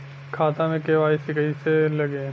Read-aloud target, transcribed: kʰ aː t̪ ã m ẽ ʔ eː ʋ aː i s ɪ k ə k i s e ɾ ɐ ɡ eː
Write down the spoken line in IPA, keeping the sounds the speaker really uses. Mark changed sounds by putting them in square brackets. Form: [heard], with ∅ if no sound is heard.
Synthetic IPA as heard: kʰ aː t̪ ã m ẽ [k] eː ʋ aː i s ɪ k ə [∅] i s e [l] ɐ ɡ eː